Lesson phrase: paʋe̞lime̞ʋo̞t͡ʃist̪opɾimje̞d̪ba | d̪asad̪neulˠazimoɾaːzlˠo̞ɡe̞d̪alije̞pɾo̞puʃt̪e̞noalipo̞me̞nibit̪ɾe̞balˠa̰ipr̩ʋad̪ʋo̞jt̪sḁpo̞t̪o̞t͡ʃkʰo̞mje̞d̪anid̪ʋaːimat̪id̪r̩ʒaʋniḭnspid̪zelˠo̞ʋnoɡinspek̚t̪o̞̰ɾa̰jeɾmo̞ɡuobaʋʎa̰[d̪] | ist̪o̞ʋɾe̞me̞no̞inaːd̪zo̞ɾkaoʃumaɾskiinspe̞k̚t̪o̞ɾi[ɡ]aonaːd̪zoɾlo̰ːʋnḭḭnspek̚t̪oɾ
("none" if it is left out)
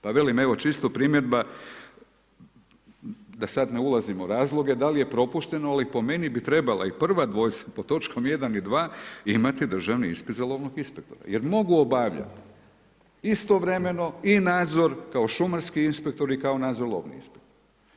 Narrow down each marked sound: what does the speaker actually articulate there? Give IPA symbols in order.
t̪, k

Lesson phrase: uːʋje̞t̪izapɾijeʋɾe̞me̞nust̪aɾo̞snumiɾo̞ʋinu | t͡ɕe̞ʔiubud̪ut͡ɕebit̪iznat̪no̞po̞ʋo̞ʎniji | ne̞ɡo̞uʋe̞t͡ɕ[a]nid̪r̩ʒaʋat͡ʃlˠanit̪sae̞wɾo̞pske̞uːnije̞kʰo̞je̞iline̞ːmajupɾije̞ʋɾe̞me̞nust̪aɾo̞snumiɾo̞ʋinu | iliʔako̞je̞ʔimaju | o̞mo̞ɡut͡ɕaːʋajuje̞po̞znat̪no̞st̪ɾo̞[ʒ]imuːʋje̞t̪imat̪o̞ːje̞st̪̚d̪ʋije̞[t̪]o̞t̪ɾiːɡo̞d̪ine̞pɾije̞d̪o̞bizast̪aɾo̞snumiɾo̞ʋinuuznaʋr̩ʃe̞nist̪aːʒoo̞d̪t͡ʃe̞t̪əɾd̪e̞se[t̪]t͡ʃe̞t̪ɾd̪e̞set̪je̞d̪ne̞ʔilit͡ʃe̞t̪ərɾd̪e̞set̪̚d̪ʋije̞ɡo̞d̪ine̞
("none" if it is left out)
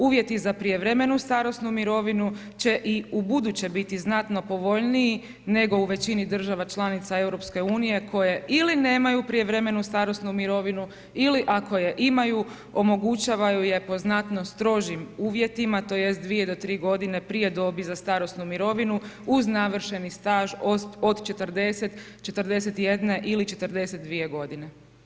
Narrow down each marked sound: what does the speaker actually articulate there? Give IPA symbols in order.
i, ʒ, d̪, t̪

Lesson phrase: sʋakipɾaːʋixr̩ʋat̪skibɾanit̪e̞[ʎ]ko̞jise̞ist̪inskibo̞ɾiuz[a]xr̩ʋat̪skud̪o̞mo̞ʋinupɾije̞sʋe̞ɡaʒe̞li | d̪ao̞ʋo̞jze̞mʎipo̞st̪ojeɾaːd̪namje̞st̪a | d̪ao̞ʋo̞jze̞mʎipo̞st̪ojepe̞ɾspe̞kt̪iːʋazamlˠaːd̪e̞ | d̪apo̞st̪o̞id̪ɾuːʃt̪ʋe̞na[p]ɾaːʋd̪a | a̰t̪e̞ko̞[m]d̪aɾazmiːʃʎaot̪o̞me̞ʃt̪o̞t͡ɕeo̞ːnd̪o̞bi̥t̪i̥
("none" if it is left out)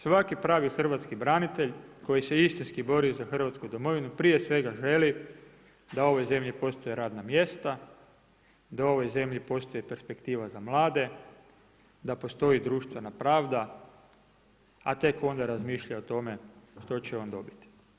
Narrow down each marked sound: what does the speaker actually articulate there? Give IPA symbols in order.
ʎ, a, p, n

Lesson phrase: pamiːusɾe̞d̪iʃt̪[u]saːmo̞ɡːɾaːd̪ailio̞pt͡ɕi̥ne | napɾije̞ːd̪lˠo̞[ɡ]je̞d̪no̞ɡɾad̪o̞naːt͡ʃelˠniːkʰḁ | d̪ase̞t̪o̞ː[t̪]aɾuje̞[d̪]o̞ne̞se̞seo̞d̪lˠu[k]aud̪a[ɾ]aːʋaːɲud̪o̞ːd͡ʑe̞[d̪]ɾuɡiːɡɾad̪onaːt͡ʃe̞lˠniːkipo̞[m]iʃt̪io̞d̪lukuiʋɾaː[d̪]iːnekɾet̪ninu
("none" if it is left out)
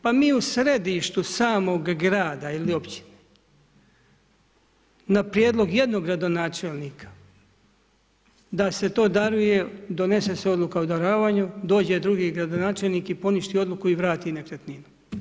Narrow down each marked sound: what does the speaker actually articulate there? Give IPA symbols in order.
u, ɡ, d̪, d̪, k, ɾ, d̪, n, t̪

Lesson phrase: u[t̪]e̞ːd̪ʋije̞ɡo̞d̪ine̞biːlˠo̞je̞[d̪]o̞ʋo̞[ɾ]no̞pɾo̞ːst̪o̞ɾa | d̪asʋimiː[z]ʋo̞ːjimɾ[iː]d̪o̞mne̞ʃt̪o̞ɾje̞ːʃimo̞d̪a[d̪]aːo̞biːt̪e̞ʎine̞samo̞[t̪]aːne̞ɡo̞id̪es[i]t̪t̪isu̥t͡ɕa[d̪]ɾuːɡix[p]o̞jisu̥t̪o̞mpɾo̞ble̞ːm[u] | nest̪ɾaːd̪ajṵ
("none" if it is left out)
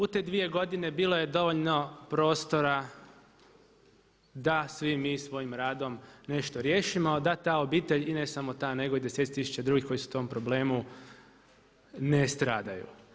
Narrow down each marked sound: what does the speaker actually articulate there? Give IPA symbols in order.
t̪, d̪, ʎ, s, aː, t̪, t̪, e, d̪, k, u

